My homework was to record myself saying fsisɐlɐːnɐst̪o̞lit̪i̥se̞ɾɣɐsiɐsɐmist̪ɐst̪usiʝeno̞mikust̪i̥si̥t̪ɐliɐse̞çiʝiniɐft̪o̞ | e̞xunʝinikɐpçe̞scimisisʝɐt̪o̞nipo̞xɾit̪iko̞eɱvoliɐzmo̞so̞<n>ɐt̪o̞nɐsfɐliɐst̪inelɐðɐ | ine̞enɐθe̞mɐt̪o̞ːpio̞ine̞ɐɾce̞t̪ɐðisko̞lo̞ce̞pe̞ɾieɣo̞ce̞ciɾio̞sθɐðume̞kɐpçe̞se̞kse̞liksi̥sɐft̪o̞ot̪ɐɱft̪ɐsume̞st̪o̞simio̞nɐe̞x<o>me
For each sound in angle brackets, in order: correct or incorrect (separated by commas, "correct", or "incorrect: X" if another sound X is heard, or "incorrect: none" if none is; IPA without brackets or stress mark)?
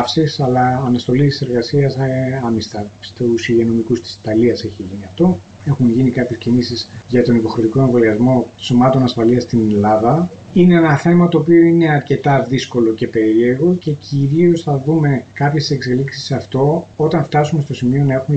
incorrect: m, incorrect: u